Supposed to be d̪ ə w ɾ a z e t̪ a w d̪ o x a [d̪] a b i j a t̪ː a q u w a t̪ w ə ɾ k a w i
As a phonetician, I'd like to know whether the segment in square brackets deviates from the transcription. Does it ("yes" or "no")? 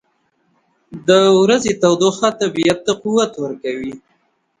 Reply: yes